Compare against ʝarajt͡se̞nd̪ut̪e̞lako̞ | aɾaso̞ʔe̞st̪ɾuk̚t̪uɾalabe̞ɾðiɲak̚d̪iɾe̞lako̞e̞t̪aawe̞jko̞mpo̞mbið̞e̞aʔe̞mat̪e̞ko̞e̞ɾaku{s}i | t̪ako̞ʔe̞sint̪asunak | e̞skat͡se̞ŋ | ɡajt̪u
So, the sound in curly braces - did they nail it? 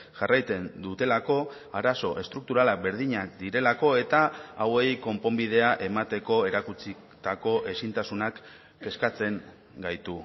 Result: no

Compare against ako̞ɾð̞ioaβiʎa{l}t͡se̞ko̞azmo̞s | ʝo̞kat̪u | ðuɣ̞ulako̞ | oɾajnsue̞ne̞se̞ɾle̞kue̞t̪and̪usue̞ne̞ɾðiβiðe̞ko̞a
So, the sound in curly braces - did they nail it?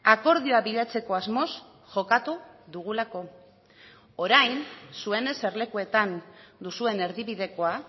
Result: no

